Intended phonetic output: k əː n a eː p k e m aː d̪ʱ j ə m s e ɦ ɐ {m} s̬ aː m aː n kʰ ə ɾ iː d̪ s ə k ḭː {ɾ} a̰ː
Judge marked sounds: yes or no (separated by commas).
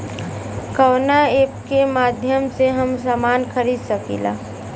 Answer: yes, no